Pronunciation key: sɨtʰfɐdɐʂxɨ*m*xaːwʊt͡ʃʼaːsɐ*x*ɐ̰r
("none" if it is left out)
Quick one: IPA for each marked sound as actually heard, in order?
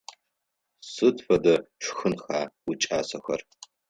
n, x

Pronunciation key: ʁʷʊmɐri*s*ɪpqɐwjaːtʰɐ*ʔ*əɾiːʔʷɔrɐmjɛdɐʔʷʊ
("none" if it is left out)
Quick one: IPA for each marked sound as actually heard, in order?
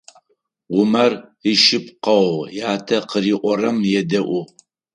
ʃ, q

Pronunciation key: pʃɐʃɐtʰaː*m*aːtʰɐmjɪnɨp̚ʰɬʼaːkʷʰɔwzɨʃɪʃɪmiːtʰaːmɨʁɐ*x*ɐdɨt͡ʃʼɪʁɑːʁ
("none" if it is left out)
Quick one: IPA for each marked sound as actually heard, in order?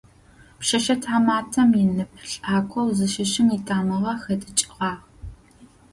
m, x

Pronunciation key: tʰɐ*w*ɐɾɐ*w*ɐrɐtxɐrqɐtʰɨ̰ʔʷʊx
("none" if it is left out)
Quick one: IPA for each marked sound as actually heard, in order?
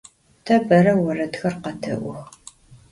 b, w

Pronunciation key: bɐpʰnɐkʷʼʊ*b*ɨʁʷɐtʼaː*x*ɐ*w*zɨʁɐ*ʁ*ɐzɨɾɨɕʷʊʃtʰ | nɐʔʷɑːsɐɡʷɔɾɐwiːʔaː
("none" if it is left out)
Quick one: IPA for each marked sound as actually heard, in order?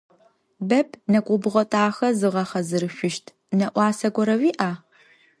b, x, none, χ

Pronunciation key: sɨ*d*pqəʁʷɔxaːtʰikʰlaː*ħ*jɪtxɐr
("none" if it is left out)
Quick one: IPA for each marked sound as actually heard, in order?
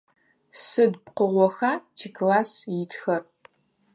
d, s

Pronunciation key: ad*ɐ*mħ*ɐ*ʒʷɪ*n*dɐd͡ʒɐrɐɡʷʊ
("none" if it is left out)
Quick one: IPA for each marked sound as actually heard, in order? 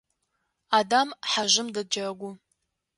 a, a, m

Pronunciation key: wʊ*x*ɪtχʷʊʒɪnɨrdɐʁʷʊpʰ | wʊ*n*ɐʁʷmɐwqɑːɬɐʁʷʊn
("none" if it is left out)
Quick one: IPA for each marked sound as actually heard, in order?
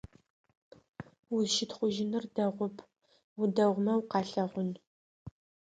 ʃ, d

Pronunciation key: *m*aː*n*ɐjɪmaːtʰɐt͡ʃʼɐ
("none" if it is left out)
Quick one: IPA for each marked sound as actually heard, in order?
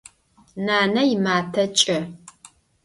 n, n

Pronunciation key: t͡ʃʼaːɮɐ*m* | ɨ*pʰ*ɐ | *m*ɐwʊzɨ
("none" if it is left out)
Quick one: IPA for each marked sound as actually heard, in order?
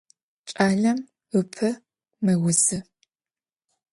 m, pʰ, m

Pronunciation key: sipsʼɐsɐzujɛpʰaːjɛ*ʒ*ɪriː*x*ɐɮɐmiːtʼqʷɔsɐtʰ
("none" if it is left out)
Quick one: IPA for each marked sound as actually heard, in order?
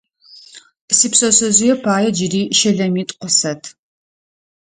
d͡ʒ, ʃ

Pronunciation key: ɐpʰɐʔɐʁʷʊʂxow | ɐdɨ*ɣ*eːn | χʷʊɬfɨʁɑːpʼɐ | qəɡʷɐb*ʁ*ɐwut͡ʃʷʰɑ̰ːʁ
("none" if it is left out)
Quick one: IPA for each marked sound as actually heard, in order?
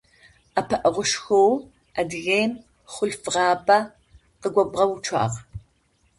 ɣ, ʁ

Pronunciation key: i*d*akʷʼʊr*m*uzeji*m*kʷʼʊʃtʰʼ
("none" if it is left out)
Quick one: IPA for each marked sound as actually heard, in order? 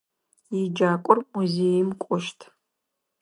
d͡ʒ, m, m

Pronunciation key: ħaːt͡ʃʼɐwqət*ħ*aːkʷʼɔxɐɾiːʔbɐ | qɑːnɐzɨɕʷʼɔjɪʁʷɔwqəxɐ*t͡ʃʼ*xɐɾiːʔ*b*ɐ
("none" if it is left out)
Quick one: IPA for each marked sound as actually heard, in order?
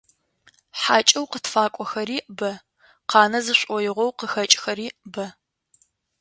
f, t͡ʃʼ, b

